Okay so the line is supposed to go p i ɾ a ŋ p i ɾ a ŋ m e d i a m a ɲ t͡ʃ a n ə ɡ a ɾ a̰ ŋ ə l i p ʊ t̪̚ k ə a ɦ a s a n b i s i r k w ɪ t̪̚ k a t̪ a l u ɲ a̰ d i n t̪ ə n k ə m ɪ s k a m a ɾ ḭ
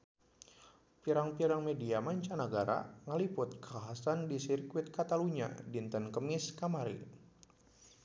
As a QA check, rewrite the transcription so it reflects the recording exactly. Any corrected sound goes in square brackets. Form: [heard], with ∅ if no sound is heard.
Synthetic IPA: p i ɾ a ŋ p i ɾ a ŋ m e d i a m a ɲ t͡ʃ a n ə ɡ a ɾ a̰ ŋ ə l i p ʊ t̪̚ k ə a ɦ a s a n [d] i s i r k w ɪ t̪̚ k a t̪ a l u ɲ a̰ d i n t̪ ə n k ə m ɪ s k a m a ɾ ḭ